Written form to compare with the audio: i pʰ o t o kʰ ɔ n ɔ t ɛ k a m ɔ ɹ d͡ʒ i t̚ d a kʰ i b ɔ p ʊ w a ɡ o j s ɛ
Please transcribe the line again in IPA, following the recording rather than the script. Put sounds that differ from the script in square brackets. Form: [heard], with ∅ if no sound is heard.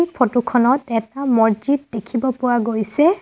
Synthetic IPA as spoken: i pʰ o t [u] kʰ ɔ n ɔ t ɛ [t] a m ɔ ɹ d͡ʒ i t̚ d [e] kʰ i b ɔ p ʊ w a ɡ o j s ɛ

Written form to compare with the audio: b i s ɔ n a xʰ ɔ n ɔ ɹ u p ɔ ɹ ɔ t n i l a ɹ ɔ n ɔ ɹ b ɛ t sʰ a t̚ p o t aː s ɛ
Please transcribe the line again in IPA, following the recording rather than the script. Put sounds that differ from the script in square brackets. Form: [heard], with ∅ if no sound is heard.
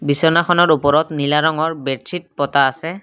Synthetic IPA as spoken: b i s ɔ n a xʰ ɔ n ɔ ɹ u p ɔ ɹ ɔ t n i l a ɹ ɔ [ŋ] ɔ ɹ b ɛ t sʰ [i] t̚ p [ɔ] t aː s ɛ

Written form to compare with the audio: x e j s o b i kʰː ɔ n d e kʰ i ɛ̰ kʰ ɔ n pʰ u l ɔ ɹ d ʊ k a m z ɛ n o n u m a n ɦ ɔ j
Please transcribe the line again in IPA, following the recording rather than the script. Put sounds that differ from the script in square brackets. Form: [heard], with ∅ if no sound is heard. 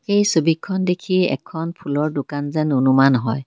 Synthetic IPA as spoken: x e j s o b i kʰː ɔ n d e kʰ i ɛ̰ kʰ ɔ n pʰ u l ɔ ɹ d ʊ k a [n] z ɛ n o n u m a n ɦ ɔ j

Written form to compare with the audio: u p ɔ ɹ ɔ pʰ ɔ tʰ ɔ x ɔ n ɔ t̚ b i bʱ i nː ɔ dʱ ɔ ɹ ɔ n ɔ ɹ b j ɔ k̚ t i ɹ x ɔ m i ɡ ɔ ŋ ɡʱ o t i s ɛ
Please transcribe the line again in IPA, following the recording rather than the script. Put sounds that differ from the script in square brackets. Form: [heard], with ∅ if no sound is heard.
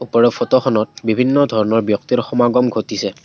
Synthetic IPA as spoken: u p ɔ ɹ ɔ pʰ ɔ [t] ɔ x ɔ n ɔ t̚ b i bʱ i nː ɔ dʱ ɔ ɹ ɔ n ɔ ɹ b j ɔ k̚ t i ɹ x ɔ m [a] ɡ ɔ [m] ɡʱ o t i s ɛ

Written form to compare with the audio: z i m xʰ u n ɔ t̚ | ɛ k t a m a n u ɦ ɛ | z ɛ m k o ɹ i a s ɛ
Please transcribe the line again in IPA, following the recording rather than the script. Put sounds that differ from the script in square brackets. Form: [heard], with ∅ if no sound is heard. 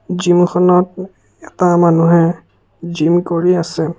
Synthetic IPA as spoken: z i m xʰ [ɔ] n ɔ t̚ | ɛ [∅] t a m a n u ɦ ɛ | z [i] m k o ɹ i a s ɛ

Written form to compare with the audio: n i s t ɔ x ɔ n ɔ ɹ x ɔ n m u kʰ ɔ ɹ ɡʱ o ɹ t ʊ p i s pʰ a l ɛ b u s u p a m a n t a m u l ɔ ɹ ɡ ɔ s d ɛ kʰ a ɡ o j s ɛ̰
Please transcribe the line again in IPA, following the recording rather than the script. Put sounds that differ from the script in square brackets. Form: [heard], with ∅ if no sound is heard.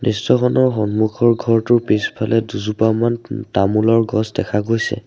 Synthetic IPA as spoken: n i s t ɔ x ɔ n ɔ ɹ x ɔ n m u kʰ ɔ ɹ ɡʱ [ɔ] ɹ t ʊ p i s pʰ a l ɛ [d] u [z] u p a m a n t a m u l ɔ ɹ ɡ ɔ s d ɛ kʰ a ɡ o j s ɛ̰

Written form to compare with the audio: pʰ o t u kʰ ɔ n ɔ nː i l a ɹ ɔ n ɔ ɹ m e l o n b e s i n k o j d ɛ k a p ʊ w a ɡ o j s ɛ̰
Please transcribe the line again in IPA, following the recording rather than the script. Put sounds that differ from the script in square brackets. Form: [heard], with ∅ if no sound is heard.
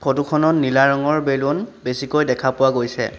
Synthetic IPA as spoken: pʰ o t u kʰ ɔ n ɔ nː i l a ɹ ɔ [ŋ] ɔ ɹ [b] e l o n b e s i [∅] k o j d ɛ [kʰ] a p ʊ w a ɡ o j s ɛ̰

